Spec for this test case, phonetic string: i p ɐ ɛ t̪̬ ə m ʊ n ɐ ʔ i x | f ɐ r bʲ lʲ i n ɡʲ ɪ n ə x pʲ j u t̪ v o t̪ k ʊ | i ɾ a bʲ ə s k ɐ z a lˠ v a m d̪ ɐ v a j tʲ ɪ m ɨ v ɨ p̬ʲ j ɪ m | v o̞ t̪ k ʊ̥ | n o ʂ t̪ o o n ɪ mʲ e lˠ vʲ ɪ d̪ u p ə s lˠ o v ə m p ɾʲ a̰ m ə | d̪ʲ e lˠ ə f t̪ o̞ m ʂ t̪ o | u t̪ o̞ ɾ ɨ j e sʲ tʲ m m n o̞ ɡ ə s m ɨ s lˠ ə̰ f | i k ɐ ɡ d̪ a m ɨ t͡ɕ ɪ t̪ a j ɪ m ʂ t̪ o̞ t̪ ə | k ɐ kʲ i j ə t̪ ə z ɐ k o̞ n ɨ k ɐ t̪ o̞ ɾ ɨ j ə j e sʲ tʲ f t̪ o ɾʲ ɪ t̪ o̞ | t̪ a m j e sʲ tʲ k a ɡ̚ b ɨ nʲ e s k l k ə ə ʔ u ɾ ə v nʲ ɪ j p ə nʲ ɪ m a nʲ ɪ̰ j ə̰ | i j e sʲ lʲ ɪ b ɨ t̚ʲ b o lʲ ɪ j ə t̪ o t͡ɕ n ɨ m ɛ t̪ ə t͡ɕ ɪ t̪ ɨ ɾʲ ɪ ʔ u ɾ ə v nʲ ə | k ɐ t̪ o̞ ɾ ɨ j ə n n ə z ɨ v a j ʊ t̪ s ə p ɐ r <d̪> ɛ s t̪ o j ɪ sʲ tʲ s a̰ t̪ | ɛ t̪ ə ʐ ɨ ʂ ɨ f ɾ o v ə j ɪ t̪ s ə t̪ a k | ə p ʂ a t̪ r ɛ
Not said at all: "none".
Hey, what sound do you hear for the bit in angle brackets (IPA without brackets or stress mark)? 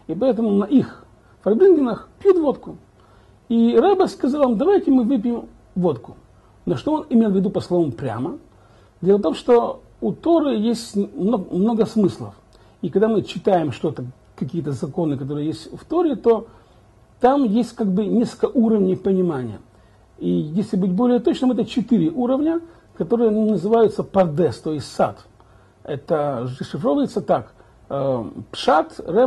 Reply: d̪